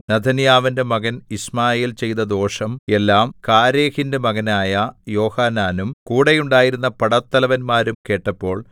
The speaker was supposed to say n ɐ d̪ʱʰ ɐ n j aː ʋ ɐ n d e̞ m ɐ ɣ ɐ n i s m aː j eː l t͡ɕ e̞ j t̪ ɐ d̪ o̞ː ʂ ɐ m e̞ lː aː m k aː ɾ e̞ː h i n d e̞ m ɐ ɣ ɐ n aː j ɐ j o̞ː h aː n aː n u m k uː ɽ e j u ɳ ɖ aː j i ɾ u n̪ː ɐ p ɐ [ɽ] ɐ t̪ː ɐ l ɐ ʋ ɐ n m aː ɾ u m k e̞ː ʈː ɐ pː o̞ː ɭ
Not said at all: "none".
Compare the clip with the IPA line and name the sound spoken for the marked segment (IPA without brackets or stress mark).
ɽ